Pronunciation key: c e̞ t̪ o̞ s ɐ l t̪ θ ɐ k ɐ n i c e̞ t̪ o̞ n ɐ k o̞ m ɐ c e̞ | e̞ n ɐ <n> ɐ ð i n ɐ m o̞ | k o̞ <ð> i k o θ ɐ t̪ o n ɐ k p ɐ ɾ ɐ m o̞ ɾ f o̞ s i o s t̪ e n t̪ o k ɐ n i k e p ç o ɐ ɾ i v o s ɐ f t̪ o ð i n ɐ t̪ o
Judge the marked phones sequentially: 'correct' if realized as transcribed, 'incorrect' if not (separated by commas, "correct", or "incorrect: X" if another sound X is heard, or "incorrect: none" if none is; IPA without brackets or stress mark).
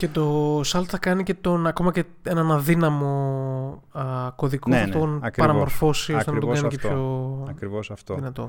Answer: correct, correct